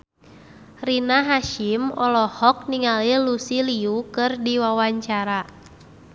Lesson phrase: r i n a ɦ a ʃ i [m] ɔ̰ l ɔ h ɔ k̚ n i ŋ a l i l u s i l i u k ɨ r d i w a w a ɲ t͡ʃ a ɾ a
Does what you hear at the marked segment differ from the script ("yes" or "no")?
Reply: no